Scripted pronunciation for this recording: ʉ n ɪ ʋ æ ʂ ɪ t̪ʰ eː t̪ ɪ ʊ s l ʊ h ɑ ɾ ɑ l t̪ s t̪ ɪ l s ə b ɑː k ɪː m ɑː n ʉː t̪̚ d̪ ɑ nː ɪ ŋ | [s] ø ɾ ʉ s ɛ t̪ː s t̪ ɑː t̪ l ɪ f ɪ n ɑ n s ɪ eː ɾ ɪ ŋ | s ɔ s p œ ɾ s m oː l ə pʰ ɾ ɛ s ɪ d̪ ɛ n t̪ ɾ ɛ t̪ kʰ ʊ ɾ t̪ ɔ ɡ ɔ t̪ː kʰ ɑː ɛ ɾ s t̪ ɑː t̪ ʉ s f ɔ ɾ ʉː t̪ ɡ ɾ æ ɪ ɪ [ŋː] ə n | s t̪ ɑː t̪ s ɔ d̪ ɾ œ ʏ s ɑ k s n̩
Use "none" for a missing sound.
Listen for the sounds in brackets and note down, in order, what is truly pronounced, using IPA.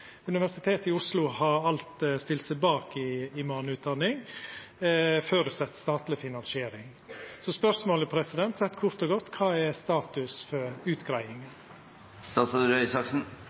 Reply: f, ŋ

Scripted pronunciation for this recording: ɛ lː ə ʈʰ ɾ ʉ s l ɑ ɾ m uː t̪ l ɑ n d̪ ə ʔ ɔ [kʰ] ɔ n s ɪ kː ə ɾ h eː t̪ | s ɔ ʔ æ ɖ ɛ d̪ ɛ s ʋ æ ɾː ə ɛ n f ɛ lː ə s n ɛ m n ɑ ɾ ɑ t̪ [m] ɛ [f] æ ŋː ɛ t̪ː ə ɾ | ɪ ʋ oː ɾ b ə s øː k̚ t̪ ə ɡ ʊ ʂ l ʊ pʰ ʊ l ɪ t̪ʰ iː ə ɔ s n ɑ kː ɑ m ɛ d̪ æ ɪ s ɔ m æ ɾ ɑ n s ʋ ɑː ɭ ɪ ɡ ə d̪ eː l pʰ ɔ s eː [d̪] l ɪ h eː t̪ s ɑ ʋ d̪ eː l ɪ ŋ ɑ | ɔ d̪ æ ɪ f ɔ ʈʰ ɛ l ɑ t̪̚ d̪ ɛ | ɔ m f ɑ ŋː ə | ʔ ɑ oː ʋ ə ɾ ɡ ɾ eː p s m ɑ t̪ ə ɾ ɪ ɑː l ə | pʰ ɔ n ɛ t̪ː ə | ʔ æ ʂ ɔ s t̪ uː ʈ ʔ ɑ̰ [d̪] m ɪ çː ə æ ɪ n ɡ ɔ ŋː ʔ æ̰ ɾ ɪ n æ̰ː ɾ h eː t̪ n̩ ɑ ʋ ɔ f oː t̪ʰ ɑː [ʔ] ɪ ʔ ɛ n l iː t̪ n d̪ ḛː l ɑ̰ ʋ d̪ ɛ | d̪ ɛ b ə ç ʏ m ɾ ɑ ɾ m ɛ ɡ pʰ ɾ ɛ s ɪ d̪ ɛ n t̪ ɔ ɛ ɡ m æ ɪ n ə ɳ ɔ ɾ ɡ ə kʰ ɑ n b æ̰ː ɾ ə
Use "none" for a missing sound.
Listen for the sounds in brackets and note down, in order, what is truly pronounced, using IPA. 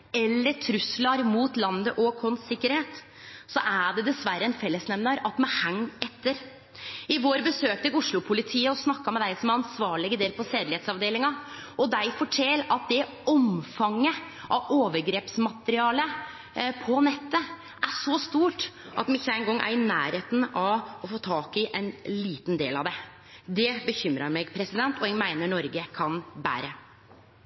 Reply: kʰ, m, h, d̪, t̪, k

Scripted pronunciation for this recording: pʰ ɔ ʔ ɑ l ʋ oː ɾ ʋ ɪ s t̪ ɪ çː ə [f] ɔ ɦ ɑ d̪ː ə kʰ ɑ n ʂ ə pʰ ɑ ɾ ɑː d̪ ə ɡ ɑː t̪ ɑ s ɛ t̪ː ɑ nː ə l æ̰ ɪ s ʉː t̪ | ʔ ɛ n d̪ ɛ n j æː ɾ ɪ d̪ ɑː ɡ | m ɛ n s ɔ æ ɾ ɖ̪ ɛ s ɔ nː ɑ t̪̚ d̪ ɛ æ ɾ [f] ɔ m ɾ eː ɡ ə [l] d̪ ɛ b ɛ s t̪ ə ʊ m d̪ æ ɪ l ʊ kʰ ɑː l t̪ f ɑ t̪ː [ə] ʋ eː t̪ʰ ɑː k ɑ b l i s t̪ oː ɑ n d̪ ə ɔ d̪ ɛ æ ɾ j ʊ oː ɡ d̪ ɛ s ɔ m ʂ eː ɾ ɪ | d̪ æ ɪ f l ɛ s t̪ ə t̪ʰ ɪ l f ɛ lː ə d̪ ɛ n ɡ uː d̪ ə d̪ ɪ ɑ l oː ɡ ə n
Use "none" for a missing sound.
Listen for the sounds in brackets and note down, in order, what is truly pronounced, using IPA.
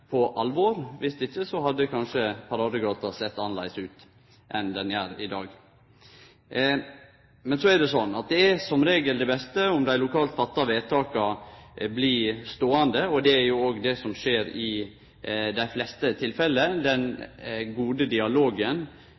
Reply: s, s, l, ɑ

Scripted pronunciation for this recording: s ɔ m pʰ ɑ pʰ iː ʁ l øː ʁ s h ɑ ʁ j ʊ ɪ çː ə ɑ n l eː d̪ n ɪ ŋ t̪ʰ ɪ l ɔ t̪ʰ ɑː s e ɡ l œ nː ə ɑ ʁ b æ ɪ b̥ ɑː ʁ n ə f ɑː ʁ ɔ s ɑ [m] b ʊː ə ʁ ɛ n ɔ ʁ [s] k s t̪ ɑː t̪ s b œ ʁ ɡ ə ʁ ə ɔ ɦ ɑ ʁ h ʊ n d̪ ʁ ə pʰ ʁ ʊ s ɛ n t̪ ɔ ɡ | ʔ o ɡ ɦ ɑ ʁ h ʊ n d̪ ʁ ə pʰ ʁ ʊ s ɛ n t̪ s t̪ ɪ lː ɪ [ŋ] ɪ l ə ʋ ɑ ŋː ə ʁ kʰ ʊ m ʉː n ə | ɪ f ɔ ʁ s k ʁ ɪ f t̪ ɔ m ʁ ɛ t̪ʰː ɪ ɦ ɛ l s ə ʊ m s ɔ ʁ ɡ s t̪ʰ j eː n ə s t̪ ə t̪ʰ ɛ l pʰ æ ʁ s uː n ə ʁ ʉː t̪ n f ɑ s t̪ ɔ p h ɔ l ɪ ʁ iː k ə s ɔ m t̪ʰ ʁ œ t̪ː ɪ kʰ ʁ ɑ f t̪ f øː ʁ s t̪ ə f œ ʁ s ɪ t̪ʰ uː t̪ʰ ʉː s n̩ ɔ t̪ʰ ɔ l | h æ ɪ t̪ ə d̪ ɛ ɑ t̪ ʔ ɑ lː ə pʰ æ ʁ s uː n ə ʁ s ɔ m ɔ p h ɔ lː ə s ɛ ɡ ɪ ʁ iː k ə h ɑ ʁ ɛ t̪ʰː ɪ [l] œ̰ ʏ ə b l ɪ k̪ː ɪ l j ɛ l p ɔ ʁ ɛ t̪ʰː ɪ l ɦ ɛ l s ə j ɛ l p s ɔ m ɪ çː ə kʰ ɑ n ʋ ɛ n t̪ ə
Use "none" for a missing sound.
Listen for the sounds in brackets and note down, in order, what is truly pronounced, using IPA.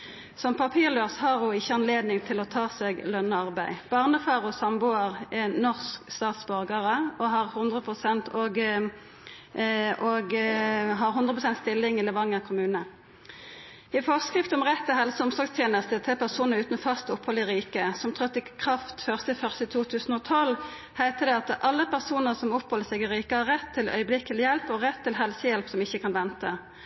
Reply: m, s, ŋ, l

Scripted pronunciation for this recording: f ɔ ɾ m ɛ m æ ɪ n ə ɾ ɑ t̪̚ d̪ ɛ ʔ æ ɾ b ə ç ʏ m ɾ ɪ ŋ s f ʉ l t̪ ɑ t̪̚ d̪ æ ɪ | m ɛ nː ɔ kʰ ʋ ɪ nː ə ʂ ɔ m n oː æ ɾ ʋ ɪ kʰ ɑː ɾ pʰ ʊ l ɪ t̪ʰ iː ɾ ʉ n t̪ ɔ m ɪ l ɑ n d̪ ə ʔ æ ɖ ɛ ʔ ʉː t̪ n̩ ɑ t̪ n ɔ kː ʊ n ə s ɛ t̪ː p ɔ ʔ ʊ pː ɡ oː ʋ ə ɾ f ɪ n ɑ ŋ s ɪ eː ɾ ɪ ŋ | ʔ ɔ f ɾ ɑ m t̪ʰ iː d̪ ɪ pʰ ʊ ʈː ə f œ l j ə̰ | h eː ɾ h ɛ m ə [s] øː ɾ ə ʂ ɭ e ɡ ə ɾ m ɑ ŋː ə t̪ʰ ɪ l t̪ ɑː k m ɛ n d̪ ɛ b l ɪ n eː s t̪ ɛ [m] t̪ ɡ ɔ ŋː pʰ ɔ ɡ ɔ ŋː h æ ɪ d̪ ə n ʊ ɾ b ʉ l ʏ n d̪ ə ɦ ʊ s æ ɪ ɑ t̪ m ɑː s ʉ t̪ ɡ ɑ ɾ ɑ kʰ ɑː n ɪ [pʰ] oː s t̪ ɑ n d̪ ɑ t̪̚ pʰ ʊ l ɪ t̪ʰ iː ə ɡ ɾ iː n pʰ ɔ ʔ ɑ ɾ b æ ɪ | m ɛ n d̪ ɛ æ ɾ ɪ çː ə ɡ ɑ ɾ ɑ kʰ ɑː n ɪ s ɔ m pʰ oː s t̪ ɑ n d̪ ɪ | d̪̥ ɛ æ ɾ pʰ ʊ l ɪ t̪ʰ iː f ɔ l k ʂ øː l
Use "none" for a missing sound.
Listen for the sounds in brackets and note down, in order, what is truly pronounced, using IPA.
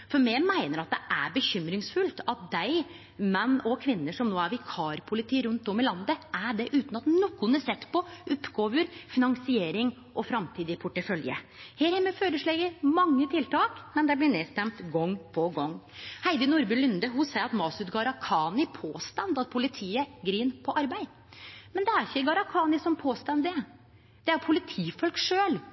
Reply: f, m, pʰ

